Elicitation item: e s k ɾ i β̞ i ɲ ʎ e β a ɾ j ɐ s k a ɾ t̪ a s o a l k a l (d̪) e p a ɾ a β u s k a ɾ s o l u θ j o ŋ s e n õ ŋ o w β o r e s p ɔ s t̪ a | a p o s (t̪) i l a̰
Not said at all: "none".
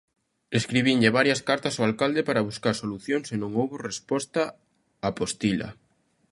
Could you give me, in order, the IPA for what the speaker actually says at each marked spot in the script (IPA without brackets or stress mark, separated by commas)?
d̪, t̪